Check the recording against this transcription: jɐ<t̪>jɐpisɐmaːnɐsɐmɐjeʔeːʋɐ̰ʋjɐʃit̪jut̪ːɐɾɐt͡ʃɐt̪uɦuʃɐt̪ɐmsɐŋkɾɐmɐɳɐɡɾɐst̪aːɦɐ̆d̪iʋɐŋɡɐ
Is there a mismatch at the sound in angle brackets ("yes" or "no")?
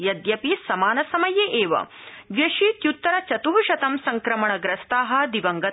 yes